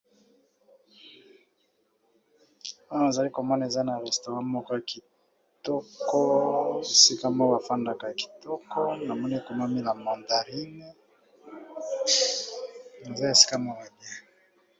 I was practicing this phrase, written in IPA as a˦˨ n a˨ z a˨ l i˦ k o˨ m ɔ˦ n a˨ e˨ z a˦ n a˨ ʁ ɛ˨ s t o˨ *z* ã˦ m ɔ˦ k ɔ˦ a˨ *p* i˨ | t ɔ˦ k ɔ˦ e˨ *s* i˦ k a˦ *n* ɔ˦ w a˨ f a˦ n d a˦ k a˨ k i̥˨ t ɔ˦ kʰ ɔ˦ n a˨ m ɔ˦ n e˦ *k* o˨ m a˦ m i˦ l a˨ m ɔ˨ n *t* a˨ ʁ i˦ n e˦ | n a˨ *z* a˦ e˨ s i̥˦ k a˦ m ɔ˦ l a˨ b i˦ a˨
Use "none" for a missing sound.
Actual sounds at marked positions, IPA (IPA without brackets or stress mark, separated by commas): ʁ, k, s, m, k, d, z